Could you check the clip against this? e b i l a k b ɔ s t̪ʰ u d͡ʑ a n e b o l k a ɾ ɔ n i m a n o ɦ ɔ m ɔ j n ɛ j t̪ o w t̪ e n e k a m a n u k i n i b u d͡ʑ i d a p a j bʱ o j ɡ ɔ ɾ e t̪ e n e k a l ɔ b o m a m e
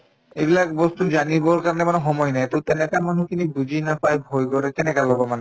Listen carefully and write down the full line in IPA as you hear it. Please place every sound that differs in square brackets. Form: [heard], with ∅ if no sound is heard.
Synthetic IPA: e b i l a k b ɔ s [t̪] u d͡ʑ a n [i] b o [ɾ] k a ɾ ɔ n [e] m a n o ɦ ɔ m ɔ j n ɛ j t̪ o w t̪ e n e k a m a n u k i n i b u d͡ʑ i [n] a p a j bʱ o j ɡ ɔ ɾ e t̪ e n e k a l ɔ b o m a [n] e